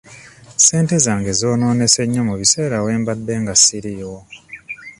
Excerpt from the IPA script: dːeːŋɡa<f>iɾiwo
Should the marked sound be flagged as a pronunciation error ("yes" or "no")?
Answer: yes